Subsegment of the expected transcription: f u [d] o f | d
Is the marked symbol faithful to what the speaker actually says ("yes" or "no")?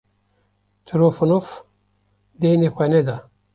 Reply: no